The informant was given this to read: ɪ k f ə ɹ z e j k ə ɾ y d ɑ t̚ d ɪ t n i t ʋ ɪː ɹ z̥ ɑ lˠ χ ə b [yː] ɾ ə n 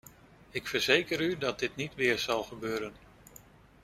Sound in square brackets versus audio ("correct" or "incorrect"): incorrect